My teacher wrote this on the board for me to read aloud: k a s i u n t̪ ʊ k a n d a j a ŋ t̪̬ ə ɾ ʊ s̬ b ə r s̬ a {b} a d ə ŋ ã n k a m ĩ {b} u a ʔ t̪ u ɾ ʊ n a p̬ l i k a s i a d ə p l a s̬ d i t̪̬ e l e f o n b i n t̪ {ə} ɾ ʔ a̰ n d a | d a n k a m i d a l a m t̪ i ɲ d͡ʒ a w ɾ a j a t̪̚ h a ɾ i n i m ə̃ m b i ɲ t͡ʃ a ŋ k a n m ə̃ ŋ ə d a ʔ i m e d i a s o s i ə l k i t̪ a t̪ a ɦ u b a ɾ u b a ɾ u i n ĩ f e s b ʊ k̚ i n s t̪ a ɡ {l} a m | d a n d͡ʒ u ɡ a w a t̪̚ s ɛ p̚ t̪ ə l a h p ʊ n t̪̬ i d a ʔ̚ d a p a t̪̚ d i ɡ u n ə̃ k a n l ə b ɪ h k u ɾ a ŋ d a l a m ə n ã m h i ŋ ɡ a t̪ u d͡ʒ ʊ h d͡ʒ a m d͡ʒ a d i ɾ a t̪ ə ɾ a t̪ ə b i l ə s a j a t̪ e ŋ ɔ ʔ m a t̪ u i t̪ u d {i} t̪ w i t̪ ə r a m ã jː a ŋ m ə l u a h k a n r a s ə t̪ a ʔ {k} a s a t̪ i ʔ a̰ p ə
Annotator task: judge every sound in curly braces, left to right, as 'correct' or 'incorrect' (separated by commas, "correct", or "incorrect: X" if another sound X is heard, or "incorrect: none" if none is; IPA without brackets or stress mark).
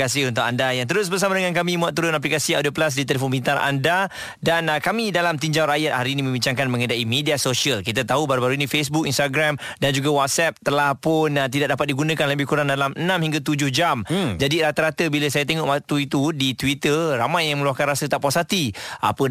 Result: incorrect: m, incorrect: m, incorrect: a, incorrect: ɾ, correct, incorrect: p